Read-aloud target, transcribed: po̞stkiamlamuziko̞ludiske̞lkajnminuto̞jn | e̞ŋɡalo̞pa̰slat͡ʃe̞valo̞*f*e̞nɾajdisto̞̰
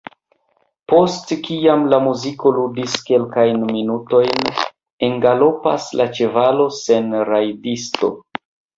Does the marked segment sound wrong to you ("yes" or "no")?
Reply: yes